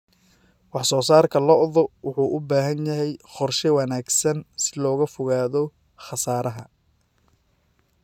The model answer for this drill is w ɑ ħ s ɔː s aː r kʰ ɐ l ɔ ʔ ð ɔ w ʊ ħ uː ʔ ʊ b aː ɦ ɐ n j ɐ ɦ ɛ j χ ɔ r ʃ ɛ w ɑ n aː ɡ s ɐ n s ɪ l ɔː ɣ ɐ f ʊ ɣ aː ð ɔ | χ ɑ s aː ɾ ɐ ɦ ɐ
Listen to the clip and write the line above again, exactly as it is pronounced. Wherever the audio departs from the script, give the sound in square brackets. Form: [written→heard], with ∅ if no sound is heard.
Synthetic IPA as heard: w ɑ ħ s ɔː s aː r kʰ ɐ l ɔ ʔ ð ɔ w ʊ ħ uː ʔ ʊ b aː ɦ ɐ n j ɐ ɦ ɛ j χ ɔ r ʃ ɛ w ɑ n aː ɡ s ɐ n s ɪ l ɔː ɣ ɐ f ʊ ɣ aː ð ɔ | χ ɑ s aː ɾ ɐ ɦ ɐ